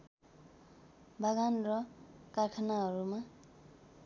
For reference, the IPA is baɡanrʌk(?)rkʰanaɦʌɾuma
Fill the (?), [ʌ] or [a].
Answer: a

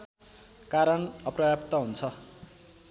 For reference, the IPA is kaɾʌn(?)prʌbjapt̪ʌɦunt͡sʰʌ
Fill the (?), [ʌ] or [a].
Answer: ʌ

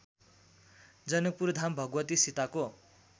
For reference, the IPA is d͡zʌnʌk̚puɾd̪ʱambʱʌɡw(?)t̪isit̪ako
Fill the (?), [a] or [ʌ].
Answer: ʌ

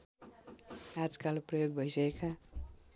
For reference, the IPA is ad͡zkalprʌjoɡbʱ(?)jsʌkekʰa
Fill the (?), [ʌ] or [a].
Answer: ʌ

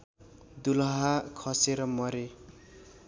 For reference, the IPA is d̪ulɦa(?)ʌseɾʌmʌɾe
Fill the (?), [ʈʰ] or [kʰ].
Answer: kʰ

